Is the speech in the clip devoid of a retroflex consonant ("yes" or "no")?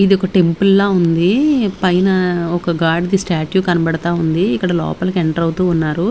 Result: no